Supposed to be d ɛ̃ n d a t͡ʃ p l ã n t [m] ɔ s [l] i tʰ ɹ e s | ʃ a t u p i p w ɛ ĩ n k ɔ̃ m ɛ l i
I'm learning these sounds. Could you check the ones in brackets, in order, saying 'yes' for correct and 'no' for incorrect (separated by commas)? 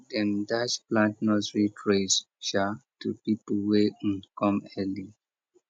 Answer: no, no